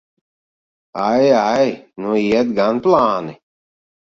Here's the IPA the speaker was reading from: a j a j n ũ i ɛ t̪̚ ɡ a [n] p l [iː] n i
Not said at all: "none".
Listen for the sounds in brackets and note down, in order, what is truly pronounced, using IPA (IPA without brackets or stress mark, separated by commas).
n, aː